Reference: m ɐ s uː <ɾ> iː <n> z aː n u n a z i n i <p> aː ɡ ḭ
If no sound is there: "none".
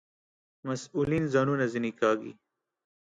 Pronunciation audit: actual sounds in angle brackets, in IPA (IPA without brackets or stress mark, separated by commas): l, n, k